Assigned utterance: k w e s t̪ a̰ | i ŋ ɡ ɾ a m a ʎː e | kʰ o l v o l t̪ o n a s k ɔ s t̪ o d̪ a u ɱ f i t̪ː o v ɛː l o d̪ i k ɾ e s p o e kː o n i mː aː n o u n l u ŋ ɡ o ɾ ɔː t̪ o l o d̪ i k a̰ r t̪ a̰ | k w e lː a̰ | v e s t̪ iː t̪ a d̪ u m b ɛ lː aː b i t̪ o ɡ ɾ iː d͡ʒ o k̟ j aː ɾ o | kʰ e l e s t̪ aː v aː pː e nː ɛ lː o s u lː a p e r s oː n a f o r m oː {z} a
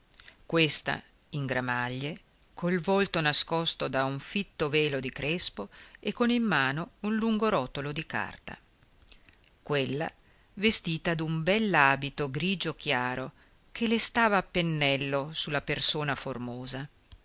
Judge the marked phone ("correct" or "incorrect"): correct